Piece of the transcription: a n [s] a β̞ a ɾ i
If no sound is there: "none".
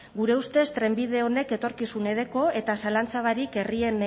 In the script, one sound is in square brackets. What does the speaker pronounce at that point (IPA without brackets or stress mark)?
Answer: t͡s